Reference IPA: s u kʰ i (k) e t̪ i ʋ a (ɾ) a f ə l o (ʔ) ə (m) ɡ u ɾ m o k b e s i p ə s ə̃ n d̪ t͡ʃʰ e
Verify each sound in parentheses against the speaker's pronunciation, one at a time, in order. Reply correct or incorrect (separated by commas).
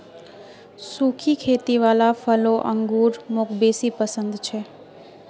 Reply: incorrect, incorrect, correct, incorrect